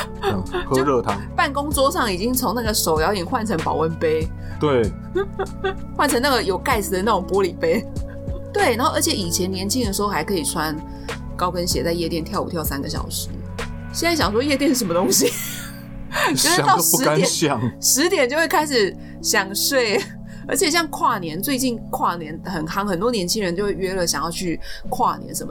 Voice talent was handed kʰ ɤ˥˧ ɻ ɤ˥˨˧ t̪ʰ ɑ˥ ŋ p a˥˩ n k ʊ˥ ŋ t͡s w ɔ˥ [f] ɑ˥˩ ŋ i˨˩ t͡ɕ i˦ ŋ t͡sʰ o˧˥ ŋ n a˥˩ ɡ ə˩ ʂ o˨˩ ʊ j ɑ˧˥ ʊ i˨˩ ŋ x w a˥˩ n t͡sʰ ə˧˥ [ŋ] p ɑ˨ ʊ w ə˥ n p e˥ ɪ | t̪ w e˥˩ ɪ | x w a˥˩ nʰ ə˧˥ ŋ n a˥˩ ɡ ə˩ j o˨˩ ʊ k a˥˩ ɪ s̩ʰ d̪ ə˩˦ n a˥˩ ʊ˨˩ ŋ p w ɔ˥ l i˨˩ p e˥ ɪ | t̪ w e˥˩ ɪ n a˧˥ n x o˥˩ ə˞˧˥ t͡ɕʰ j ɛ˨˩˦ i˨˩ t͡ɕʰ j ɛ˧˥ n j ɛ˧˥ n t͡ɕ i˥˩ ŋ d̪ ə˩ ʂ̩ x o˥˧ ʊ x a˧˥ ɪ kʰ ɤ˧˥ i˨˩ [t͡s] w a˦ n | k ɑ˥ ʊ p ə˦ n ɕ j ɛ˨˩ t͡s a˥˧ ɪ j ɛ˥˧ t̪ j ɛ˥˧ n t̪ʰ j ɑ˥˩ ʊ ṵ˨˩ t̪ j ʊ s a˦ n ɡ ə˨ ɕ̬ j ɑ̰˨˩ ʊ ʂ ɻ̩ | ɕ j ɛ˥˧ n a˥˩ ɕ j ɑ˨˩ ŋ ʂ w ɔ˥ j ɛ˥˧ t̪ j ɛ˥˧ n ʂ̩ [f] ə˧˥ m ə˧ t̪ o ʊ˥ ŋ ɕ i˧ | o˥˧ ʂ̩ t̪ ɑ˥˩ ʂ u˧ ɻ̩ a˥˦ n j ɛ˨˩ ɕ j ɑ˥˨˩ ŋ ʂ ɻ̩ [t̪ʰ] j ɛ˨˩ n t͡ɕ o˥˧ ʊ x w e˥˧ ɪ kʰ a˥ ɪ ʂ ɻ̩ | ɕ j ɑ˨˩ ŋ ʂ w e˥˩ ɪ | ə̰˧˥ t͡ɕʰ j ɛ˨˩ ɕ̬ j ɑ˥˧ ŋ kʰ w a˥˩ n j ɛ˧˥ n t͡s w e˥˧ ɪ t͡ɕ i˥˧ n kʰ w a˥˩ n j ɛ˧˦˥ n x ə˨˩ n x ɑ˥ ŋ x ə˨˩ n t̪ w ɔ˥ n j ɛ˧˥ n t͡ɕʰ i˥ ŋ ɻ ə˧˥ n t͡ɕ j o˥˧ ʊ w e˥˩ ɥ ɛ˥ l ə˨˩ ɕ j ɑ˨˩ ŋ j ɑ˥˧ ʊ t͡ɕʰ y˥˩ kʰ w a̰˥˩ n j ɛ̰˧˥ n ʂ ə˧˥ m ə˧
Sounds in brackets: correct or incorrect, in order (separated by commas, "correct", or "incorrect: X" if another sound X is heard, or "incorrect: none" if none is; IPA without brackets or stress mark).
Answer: incorrect: ʂ, correct, incorrect: t͡sʰ, incorrect: ʂ, incorrect: t̪